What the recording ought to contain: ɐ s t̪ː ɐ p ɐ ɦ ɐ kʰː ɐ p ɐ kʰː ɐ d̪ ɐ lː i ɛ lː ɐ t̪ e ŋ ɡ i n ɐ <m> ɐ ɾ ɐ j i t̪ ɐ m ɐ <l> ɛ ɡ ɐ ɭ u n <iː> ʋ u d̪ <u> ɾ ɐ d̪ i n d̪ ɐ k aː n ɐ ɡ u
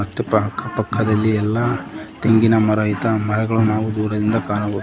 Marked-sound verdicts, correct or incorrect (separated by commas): correct, incorrect, incorrect, incorrect